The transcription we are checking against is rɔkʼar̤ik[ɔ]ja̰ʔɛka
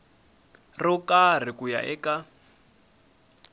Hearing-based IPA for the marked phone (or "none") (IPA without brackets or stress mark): u